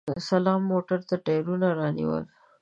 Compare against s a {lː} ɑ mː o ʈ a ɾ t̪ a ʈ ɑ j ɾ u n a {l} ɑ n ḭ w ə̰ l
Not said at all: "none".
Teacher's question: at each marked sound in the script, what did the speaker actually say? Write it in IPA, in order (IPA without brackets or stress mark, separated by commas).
l, ɾ